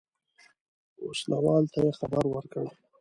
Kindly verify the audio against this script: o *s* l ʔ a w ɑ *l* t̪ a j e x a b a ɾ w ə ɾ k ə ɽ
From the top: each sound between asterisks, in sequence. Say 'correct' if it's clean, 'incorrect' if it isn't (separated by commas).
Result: correct, correct